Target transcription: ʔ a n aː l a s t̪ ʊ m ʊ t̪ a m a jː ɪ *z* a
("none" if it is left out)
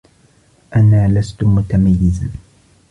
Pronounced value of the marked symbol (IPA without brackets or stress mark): z